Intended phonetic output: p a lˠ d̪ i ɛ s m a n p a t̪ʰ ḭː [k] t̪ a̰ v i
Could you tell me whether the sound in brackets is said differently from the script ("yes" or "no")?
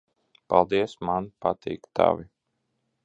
no